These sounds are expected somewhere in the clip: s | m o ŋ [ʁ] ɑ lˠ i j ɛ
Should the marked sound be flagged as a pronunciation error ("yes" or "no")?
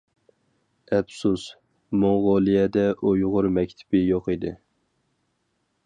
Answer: no